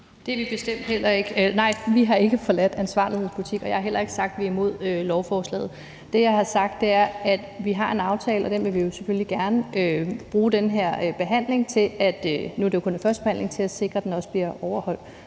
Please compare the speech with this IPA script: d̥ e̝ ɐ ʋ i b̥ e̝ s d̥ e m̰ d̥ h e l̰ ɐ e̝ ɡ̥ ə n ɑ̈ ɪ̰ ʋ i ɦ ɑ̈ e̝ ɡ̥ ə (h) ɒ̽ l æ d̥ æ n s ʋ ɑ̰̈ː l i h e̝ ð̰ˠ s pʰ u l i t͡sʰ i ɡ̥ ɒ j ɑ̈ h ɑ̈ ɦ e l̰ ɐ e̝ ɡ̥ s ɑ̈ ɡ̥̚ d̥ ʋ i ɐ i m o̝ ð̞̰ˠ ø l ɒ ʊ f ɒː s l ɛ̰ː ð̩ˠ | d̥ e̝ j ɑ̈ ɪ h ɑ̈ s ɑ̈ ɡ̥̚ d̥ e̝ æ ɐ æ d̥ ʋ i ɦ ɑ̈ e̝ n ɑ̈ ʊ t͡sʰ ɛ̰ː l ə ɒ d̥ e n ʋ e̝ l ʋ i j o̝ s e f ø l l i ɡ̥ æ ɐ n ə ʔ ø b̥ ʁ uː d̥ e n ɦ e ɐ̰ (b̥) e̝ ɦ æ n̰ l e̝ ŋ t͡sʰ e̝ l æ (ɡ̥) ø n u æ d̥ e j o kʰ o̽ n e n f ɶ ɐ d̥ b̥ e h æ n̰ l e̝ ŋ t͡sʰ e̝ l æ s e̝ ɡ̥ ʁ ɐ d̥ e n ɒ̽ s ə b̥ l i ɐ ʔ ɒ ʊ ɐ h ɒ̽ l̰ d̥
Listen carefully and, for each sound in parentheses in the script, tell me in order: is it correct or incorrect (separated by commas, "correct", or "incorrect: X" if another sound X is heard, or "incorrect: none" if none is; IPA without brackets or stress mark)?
incorrect: f, correct, incorrect: d̥